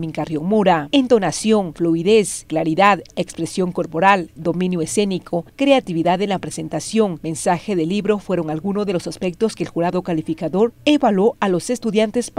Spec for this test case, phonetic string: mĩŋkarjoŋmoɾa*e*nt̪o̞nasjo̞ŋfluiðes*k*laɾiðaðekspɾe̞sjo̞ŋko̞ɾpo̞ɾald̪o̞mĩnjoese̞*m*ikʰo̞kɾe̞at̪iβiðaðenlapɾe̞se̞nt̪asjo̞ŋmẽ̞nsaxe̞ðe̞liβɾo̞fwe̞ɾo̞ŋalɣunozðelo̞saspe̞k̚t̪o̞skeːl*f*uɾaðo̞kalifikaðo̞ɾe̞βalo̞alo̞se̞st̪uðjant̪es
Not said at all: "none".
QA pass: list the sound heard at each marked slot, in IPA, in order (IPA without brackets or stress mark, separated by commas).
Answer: e, k, n, x